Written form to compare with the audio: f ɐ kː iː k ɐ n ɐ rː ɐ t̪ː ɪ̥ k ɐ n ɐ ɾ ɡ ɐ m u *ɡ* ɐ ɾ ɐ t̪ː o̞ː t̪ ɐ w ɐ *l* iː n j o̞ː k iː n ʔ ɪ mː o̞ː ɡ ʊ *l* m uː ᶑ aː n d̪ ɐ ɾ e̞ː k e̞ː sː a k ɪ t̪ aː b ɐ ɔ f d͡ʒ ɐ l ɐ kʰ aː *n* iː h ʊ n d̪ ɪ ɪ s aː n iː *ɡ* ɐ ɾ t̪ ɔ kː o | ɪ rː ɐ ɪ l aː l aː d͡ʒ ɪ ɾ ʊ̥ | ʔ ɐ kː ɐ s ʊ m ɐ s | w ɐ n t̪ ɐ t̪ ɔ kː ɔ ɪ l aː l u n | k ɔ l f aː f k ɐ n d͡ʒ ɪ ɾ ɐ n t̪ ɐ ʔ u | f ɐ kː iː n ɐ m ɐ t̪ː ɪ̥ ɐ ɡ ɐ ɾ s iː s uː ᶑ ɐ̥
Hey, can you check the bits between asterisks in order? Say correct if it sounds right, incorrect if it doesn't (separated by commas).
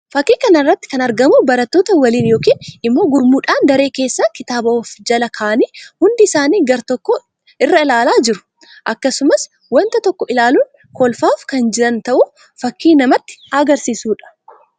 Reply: incorrect, correct, incorrect, correct, correct